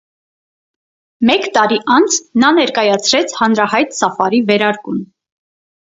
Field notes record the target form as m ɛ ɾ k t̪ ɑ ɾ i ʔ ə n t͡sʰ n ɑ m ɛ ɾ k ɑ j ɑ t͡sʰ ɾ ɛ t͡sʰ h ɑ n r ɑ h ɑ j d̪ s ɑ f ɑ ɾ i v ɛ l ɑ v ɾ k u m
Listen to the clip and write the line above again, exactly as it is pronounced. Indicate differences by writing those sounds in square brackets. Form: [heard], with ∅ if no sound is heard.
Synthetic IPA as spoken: m ɛ [∅] k t̪ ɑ ɾ i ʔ [ɑ] n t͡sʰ n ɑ [n] ɛ ɾ k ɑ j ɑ t͡sʰ ɾ ɛ t͡sʰ h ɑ n [ɾ] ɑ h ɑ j [t̪] s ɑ f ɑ ɾ i v ɛ [ɾ] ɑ [∅] ɾ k u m